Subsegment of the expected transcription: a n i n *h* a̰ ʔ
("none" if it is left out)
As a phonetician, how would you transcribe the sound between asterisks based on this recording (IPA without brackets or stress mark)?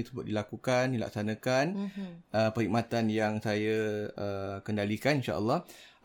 ʃ